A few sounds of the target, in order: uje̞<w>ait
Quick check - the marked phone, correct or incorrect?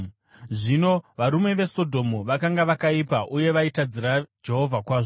incorrect